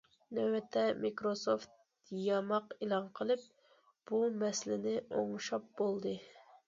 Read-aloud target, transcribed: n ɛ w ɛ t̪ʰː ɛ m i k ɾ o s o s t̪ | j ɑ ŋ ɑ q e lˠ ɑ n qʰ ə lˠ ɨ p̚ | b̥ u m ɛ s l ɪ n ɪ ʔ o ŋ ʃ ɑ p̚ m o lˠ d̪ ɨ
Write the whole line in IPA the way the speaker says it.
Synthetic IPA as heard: n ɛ w ɛ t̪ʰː ɛ m i k ɾ o s o f t̪ | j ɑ m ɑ q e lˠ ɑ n qʰ ə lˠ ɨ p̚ | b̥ u m ɛ s l ɪ n ɪ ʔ o ŋ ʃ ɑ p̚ b o lˠ d̪ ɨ